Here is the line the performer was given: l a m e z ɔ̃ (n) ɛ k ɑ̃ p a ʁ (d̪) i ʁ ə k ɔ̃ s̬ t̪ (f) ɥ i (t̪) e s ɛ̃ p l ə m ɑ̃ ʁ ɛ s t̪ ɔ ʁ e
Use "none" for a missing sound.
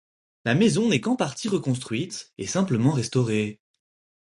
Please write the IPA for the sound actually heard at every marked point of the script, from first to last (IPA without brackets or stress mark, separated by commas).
n, t̪, χ, t̪